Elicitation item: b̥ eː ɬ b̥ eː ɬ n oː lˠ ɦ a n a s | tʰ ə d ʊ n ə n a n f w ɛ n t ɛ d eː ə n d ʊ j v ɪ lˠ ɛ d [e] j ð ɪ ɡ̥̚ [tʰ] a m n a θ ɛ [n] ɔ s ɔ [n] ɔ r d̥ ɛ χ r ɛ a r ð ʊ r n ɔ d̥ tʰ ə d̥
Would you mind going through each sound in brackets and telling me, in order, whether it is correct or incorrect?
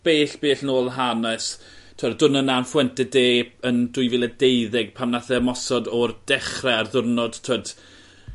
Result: correct, incorrect, incorrect, incorrect

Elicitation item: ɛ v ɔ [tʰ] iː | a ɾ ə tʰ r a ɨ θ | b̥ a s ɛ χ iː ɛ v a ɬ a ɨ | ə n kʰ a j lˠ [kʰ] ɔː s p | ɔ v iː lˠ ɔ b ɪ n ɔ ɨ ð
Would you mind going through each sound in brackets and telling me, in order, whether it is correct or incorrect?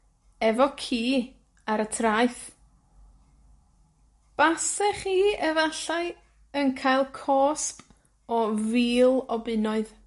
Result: incorrect, correct

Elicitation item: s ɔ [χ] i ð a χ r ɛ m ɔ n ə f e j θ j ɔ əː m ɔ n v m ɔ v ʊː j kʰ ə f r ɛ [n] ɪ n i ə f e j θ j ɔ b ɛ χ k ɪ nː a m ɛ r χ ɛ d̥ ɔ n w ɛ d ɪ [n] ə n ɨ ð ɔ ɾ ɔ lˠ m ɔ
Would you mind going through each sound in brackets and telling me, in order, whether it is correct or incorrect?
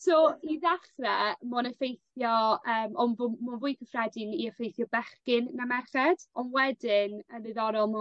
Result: incorrect, incorrect, correct

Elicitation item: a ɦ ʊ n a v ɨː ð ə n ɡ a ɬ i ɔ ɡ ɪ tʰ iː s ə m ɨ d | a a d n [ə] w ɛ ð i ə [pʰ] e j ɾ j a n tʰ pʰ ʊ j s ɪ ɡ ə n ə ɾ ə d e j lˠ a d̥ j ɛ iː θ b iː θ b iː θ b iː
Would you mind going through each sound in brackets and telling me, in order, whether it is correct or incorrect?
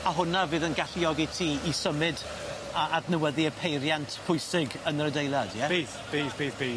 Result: correct, correct

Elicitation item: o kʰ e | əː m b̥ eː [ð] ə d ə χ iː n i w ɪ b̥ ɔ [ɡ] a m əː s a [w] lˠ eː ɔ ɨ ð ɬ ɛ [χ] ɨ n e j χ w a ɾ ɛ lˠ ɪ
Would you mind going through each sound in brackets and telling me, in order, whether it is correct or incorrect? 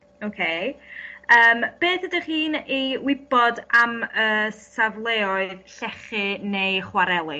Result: incorrect, incorrect, incorrect, correct

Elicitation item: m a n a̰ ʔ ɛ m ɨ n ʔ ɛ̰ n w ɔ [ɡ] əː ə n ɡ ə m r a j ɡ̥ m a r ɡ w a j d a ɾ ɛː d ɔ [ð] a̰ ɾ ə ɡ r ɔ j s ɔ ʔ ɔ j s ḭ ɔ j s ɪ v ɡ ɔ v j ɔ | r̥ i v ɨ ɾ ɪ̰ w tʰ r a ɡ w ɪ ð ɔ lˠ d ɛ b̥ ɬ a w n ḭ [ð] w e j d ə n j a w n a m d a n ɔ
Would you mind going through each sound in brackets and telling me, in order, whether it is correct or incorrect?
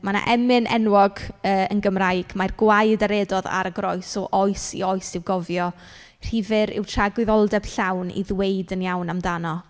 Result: correct, correct, correct

